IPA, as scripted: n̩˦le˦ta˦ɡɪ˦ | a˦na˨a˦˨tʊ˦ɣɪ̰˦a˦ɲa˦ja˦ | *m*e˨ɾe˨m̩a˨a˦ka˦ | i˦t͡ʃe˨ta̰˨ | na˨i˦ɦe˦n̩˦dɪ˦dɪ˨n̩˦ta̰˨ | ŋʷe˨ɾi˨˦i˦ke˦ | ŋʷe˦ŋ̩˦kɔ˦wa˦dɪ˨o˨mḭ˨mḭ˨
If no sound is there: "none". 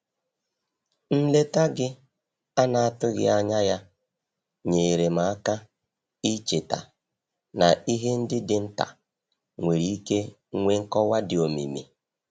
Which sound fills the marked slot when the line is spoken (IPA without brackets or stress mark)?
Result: ɲ